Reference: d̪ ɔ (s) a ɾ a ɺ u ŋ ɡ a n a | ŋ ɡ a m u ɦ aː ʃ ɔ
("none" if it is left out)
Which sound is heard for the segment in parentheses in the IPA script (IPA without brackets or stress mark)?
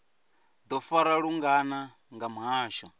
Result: f